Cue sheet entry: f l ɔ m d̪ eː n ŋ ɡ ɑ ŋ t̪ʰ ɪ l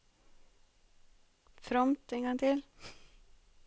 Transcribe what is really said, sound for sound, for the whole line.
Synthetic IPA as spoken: f ɾ ɔ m t̪ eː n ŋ ɡ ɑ ŋ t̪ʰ ɪ l